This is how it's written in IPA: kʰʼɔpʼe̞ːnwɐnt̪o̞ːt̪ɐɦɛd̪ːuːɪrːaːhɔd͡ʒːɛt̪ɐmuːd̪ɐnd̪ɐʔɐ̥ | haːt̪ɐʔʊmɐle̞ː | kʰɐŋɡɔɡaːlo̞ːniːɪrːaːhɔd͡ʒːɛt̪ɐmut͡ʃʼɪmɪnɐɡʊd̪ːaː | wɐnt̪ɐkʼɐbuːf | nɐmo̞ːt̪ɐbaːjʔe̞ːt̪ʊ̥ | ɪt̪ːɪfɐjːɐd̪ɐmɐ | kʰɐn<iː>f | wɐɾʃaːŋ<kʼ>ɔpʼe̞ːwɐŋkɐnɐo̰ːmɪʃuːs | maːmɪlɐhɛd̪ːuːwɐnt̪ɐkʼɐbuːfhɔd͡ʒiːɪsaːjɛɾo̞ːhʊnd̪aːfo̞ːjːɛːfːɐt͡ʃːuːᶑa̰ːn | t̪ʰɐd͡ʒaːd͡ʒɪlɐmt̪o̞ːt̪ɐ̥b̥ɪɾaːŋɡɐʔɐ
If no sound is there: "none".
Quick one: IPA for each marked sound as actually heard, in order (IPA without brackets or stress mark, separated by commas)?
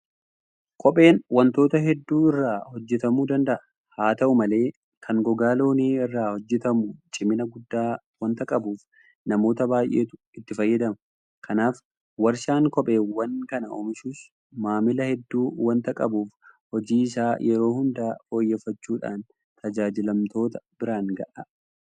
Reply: aː, k